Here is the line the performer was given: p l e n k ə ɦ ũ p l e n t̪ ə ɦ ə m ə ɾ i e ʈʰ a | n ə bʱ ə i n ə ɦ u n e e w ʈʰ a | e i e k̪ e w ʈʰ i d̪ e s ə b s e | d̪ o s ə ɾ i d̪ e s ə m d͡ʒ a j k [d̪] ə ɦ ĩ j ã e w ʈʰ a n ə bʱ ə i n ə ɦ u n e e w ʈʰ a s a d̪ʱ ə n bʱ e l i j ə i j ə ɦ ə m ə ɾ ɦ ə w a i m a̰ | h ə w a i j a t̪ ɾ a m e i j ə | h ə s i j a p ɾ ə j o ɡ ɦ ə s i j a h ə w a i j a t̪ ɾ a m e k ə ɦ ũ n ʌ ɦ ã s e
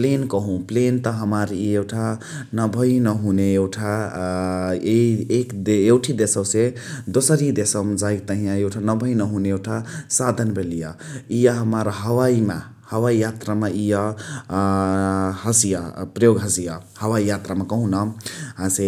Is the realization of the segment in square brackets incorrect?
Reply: yes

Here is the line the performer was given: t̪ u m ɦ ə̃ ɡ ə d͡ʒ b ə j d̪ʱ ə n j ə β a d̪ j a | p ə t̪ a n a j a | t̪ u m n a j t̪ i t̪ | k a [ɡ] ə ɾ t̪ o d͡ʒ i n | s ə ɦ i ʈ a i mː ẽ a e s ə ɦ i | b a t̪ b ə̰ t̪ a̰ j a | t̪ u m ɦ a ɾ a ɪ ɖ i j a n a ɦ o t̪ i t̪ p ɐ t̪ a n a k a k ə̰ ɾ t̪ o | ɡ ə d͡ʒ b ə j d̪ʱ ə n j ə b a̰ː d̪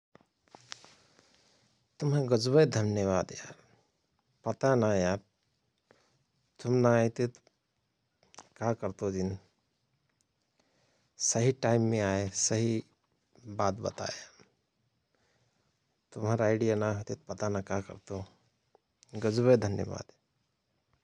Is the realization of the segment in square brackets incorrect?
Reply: yes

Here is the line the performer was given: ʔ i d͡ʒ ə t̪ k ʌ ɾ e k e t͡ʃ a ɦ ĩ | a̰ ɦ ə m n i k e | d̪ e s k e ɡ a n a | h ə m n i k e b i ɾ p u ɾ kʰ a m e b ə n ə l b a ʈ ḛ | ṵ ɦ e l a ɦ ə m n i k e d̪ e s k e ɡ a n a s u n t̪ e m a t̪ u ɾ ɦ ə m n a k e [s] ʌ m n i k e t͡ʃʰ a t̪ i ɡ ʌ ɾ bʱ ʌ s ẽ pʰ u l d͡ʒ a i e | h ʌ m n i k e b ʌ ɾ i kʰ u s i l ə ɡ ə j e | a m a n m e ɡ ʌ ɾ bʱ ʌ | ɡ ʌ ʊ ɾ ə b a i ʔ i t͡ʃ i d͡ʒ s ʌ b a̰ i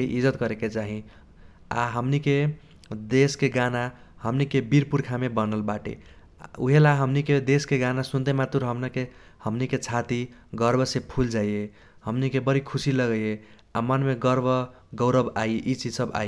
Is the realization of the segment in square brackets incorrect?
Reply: yes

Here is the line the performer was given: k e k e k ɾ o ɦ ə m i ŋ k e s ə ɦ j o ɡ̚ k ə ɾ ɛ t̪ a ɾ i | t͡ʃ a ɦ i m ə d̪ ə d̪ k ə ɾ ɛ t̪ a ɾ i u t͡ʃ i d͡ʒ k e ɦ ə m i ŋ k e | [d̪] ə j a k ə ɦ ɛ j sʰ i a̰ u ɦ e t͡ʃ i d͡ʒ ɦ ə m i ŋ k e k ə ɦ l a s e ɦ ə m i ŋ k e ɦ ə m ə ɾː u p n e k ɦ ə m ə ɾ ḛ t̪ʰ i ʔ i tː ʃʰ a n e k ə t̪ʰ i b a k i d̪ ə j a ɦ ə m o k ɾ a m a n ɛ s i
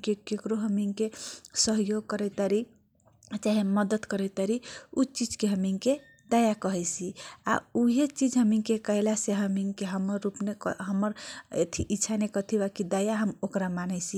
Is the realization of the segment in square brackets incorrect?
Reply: no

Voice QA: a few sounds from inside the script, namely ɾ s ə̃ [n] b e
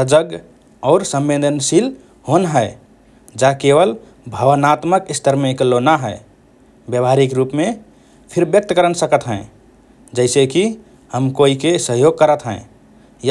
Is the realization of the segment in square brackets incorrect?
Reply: yes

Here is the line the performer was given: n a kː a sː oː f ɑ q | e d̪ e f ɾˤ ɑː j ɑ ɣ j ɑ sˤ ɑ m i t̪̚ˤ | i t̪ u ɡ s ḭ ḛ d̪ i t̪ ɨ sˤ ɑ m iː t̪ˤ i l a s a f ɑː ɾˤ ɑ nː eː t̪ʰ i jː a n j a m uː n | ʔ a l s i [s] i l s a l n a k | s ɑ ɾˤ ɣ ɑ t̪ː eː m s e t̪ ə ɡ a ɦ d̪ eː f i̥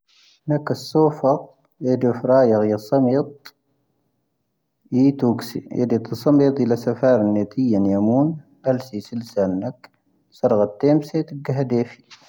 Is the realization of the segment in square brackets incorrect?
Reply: no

